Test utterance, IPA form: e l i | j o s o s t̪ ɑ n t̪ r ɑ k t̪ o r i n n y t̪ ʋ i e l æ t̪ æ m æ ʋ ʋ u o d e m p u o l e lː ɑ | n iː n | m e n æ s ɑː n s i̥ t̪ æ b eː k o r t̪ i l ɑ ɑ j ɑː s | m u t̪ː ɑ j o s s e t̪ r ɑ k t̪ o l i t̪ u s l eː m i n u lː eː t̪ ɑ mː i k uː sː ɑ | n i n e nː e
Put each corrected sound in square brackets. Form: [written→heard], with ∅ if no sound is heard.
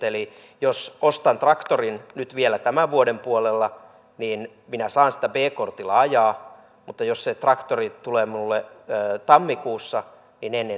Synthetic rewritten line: e l i | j o s o s t̪ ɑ n t̪ r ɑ k t̪ o r i n n y t̪ ʋ i e l æ t̪ æ m æ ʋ ʋ u o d e m p u o l e lː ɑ | n iː n | m [e→i] n æ s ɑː n s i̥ t̪ æ b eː k o r t̪ i l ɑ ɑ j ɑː [s→∅] | m u t̪ː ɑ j o s s e t̪ r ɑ k t̪ o [l→r] i t̪ u [s→∅] l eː m i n u lː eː t̪ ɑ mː i k uː sː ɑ | n i n e nː e